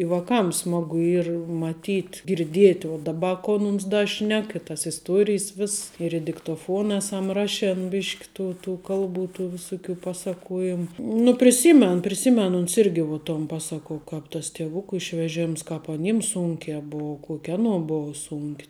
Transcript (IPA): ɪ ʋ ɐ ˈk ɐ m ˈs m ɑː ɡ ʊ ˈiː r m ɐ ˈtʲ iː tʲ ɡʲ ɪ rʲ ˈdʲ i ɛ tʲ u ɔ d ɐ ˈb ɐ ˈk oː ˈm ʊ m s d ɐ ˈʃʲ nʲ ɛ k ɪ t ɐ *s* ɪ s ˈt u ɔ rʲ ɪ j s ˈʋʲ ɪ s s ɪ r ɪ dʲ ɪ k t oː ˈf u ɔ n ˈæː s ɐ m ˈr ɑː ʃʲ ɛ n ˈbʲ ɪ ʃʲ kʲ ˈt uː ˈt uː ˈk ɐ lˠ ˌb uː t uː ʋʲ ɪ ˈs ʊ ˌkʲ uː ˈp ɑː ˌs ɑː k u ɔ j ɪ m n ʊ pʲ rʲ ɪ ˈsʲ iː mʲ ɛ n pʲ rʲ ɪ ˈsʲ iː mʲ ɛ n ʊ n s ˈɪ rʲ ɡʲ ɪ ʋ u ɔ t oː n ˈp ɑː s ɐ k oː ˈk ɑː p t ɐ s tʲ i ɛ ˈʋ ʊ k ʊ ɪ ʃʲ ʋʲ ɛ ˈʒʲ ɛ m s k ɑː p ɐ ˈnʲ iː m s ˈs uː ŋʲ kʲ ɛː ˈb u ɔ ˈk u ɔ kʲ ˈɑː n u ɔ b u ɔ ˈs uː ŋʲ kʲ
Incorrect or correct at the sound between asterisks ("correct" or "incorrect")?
correct